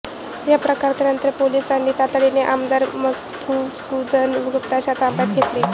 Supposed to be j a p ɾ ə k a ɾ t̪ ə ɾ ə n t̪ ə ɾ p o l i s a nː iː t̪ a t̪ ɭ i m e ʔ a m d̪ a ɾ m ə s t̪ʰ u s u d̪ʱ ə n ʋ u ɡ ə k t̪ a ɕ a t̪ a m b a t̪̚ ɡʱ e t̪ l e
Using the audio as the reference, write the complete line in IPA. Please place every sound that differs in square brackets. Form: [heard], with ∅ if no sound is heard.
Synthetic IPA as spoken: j a p ɾ ə k a ɾ t̪ ə ɾ ə n t̪ ə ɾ p o l i s a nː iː t̪ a t̪ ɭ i [n] e ʔ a m d̪ a ɾ m ə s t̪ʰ u s u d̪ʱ ə n ʋ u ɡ ə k t̪ a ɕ a t̪ a m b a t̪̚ ɡʱ e t̪ l e